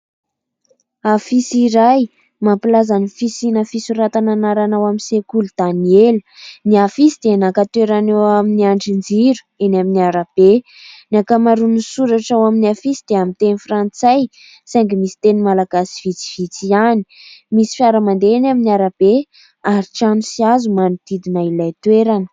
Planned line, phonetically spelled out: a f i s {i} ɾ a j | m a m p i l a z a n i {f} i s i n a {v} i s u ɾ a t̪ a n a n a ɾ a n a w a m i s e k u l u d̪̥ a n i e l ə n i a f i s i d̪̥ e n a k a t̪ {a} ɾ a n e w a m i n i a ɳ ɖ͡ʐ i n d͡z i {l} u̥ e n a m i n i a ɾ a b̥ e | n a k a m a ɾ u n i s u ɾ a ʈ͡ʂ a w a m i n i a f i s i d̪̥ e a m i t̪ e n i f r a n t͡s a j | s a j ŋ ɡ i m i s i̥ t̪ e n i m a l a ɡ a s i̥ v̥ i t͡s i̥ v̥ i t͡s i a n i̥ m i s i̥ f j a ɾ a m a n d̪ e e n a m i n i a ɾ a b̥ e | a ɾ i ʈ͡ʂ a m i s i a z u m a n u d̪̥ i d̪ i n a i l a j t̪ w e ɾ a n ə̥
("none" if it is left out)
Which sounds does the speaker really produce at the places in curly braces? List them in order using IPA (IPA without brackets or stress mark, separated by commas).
i, f, f, e, ɾ